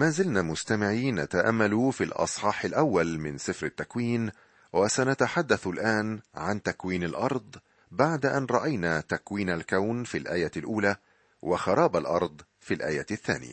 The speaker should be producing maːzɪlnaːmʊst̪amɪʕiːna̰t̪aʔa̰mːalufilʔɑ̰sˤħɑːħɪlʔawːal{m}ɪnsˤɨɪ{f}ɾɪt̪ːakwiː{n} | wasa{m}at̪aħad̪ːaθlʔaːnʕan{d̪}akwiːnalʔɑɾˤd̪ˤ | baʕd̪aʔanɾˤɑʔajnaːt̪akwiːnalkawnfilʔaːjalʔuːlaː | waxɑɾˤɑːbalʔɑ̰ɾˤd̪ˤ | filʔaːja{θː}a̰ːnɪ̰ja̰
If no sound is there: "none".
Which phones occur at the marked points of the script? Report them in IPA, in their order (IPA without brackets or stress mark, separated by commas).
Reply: m, f, n, n, t̪, θː